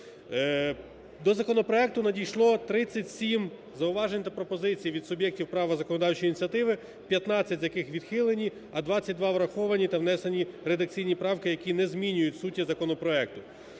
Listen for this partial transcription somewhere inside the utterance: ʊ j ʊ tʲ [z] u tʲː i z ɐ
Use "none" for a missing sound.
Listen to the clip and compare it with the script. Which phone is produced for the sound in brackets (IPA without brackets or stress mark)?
s